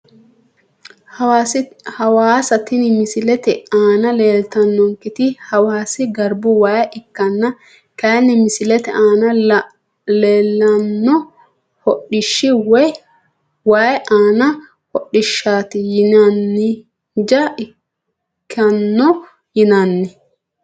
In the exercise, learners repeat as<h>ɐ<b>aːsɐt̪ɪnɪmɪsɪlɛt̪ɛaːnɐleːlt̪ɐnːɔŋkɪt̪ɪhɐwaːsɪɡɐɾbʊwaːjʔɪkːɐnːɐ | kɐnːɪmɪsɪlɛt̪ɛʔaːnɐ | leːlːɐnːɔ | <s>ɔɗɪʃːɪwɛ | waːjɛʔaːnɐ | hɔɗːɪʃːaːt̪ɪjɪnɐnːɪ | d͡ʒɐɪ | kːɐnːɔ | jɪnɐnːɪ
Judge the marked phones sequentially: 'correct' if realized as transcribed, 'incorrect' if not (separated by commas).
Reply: correct, incorrect, incorrect